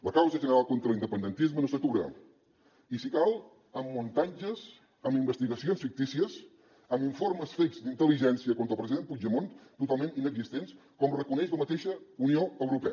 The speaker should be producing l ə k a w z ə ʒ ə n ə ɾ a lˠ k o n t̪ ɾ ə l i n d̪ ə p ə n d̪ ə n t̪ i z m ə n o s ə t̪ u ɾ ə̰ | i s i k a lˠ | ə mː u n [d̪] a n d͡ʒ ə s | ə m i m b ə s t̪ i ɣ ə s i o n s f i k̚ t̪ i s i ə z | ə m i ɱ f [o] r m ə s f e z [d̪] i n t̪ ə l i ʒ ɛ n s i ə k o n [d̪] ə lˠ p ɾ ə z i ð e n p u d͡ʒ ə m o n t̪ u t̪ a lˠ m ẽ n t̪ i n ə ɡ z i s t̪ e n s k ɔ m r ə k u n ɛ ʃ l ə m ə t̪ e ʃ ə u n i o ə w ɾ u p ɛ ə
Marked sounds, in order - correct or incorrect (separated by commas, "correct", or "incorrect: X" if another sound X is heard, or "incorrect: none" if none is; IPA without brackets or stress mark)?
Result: incorrect: t̪, correct, correct, incorrect: t̪